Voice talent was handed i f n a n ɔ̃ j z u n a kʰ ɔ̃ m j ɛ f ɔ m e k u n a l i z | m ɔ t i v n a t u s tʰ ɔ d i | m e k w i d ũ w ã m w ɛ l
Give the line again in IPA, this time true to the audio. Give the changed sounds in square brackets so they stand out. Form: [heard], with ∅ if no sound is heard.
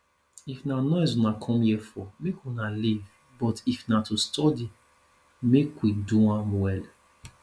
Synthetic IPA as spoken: i f n a n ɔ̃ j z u n a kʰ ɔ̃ m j ɛ f ɔ m e k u n a l i [v] | [b] ɔ t i [f] n a t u s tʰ ɔ d i | m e k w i d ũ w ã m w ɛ l